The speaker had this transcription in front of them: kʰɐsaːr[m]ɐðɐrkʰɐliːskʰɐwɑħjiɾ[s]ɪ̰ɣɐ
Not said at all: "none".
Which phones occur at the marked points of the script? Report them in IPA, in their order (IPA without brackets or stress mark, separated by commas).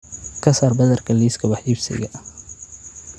b, s